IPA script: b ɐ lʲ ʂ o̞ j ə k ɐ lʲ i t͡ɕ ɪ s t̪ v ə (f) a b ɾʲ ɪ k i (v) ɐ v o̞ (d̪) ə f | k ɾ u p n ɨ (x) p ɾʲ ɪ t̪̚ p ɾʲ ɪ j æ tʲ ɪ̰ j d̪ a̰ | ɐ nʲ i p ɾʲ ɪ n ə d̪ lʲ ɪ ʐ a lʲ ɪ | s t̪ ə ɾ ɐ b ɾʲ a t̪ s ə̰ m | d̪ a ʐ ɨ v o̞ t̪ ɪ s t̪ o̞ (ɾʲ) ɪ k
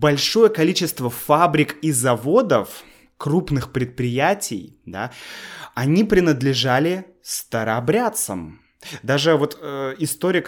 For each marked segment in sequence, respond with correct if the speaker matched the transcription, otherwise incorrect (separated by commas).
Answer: correct, incorrect, correct, correct, correct